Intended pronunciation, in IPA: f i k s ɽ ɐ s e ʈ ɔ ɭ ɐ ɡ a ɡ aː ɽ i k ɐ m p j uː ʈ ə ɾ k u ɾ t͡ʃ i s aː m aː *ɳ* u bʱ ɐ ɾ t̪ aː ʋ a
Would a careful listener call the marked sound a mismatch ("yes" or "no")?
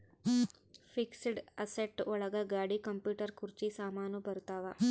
yes